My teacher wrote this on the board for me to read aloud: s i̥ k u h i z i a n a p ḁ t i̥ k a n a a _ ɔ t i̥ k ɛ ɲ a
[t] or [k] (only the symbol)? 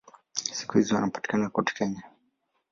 k